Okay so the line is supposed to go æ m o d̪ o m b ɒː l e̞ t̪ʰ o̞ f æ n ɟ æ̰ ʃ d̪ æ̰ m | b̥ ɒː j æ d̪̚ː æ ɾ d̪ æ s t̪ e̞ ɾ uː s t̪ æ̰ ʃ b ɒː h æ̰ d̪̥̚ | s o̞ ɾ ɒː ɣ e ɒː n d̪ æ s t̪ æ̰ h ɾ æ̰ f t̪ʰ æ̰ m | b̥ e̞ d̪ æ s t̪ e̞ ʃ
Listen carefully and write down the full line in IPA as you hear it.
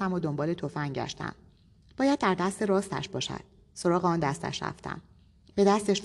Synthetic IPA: æ m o d̪ o m b ɒː l e̞ t̪ʰ o̞ f æ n ɟ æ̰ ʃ t̪ æ̰ m | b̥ ɒː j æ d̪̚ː æ ɾ d̪ æ s t̪ e̞ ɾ ɒː s t̪ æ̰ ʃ b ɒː ʃ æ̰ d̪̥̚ | s o̞ ɾ ɒː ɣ e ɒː n d̪ æ s t̪ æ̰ ʃ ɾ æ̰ f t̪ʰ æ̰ m | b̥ e̞ d̪ æ s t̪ e̞ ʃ